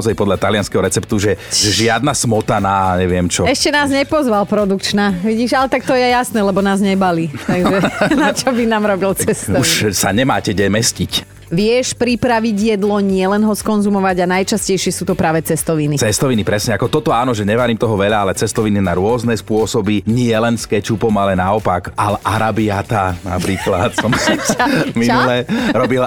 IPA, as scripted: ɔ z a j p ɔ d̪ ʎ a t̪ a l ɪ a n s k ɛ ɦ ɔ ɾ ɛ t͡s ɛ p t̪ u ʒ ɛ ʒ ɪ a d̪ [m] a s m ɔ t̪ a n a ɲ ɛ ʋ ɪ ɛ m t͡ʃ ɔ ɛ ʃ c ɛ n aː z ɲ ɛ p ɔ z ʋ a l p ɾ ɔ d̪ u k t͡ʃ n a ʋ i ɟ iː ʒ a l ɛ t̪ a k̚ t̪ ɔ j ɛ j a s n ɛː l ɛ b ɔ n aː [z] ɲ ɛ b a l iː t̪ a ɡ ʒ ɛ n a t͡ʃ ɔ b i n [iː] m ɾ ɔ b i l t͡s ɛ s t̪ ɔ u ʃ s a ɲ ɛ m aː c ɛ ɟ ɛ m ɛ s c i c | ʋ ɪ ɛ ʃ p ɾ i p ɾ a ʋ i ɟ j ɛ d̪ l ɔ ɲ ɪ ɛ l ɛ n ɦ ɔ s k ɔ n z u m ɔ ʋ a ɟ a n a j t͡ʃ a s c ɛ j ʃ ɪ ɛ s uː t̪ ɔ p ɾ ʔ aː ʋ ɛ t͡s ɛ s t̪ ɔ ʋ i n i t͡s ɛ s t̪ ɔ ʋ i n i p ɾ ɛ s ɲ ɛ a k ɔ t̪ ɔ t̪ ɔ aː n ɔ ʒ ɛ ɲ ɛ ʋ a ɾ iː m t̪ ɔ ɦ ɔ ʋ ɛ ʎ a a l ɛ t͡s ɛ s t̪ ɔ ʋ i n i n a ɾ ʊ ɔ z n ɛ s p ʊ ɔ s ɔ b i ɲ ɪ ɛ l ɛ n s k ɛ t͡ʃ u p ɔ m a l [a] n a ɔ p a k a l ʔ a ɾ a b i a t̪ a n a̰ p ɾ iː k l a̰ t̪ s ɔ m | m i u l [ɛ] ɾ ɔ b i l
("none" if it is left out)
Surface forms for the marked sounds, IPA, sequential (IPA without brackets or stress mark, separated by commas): n, z, aː, ɛ, ɛ